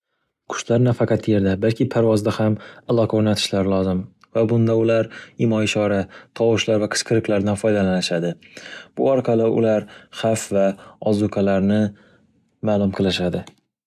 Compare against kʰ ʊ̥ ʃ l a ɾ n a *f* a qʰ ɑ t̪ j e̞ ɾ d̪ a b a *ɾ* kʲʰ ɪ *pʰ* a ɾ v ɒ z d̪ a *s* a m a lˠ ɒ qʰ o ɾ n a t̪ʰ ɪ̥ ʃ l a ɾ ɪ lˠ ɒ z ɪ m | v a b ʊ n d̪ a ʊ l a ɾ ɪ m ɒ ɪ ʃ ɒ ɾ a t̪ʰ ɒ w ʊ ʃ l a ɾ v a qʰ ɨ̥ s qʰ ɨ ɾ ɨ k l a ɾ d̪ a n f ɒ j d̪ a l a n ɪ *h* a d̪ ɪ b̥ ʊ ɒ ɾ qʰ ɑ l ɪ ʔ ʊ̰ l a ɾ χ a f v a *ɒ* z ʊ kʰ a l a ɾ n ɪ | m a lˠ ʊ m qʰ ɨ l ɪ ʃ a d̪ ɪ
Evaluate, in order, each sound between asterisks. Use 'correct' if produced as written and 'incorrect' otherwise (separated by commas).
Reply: correct, incorrect, correct, incorrect, incorrect, correct